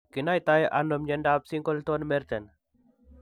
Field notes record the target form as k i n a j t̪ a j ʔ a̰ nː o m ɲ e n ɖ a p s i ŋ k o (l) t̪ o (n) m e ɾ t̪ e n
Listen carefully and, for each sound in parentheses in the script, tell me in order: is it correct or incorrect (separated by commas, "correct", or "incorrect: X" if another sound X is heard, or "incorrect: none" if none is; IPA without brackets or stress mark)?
correct, correct